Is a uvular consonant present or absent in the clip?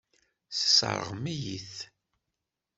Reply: present